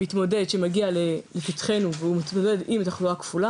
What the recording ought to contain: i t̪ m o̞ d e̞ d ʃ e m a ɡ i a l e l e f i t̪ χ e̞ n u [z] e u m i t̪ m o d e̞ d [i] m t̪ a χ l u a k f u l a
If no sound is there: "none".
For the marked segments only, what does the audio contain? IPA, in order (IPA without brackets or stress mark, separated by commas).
v, i